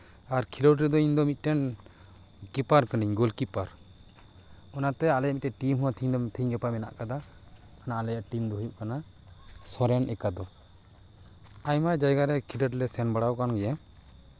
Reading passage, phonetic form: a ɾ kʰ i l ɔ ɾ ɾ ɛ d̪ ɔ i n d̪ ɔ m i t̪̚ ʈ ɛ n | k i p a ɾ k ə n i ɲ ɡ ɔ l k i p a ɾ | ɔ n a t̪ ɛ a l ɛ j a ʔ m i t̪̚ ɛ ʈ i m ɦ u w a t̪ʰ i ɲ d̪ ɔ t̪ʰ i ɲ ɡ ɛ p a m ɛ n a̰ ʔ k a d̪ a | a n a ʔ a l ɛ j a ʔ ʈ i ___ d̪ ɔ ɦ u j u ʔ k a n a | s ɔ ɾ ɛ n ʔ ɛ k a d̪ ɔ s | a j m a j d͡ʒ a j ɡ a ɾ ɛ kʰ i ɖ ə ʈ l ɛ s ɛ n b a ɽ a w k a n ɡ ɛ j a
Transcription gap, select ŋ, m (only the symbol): m